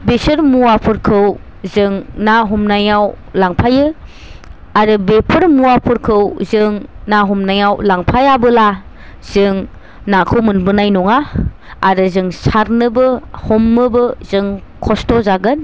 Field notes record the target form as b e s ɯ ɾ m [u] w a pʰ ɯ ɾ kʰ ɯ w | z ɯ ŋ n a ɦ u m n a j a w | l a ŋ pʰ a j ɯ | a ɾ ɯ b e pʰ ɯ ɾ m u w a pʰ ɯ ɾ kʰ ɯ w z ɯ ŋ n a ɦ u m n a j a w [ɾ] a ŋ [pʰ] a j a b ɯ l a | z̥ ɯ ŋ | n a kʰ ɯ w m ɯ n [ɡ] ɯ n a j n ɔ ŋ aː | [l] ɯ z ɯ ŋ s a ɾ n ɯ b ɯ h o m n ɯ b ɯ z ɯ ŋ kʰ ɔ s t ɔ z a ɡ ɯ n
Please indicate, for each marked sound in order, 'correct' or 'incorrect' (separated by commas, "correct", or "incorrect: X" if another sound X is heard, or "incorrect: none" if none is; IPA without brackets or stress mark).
correct, incorrect: l, correct, incorrect: b, incorrect: ɾ